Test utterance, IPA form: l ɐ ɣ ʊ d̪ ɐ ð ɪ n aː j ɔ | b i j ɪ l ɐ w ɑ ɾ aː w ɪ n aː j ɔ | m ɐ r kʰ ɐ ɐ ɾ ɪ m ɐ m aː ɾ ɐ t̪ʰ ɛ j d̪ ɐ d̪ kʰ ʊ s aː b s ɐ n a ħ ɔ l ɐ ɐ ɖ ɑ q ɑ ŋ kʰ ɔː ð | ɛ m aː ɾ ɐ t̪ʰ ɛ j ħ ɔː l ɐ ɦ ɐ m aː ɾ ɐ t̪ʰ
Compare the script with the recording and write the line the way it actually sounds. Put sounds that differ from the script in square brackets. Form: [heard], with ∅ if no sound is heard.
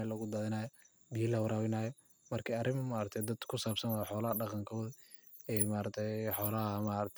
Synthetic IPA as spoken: l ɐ ɣ ʊ d̪ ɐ ð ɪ n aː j ɔ | b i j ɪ l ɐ w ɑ ɾ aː w ɪ n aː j ɔ | m ɐ r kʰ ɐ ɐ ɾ ɪ m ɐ m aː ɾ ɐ t̪ʰ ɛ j d̪ ɐ d̪ kʰ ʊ s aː b s ɐ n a ħ [ɔː] l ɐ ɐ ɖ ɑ q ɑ ŋ kʰ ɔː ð | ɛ m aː ɾ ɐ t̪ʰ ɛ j ħ ɔː l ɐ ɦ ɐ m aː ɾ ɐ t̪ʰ